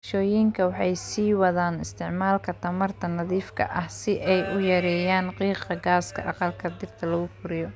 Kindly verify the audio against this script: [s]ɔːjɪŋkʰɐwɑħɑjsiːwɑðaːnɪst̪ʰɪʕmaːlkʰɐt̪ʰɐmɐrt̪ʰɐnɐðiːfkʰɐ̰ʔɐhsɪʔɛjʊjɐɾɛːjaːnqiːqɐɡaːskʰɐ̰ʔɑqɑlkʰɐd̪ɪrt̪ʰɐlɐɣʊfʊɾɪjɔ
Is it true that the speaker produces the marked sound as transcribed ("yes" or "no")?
no